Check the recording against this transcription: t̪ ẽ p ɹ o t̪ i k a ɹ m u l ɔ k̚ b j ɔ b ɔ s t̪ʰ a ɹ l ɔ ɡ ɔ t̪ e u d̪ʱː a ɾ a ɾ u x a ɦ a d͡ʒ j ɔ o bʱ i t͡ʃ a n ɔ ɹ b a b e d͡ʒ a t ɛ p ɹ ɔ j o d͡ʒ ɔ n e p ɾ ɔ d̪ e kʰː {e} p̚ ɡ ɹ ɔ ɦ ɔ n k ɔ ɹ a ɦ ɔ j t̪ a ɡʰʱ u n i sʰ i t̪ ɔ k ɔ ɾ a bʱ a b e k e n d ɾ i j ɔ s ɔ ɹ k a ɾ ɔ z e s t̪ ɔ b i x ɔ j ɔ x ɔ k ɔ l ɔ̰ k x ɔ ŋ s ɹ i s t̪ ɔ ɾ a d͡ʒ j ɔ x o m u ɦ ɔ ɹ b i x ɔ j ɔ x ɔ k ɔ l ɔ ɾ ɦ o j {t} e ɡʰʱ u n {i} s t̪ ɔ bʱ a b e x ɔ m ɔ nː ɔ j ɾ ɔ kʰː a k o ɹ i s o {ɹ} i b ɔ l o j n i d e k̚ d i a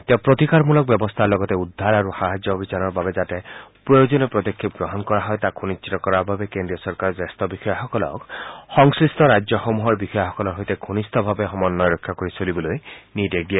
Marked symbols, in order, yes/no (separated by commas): no, yes, yes, no